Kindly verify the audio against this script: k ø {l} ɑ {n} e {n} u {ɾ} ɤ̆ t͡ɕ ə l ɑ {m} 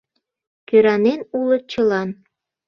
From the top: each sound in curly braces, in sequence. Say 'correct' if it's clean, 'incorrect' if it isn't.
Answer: incorrect, correct, correct, incorrect, incorrect

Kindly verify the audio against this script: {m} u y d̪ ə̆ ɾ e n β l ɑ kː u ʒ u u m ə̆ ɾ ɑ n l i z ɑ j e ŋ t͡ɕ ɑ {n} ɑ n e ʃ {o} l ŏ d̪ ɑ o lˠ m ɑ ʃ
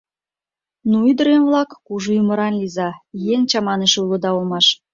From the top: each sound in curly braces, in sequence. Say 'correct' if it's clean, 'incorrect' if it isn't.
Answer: incorrect, incorrect, incorrect

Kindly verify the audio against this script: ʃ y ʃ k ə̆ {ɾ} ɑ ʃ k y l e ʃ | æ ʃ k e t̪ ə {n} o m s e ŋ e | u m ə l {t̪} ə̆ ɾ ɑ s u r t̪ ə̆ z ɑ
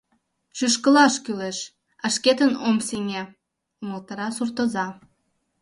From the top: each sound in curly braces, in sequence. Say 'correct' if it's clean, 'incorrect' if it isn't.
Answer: incorrect, correct, correct

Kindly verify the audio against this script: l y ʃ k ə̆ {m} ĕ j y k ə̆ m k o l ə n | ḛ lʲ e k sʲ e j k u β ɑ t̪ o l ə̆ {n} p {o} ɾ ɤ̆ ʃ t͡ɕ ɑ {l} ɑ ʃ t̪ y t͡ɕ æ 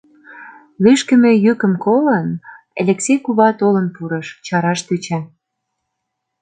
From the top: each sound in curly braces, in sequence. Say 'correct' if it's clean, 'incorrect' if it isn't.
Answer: correct, correct, incorrect, incorrect

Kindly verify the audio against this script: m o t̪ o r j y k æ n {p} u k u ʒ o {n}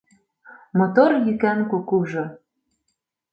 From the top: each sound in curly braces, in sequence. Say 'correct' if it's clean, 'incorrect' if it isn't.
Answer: incorrect, incorrect

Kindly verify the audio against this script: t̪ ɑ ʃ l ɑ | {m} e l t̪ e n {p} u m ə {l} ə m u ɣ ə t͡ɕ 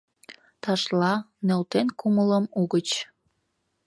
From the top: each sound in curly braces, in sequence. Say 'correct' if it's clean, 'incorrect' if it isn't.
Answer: incorrect, incorrect, correct

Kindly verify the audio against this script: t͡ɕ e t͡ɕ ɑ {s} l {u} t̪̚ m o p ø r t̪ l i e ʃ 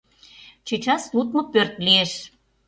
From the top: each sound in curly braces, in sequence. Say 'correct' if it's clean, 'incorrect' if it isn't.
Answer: correct, correct

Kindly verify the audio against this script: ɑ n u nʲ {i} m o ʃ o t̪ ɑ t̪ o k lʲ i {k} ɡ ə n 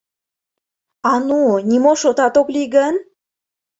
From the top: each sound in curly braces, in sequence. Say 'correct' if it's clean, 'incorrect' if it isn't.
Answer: correct, incorrect

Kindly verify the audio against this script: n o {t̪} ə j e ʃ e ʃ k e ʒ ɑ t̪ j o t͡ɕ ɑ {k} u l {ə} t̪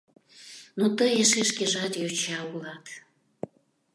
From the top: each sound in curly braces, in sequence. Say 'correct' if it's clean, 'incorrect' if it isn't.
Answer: correct, incorrect, incorrect

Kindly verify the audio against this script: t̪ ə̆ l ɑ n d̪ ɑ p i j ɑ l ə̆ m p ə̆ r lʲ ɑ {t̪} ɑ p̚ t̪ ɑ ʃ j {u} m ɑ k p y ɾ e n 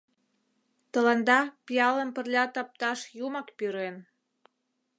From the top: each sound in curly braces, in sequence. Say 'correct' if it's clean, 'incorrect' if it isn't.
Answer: correct, correct

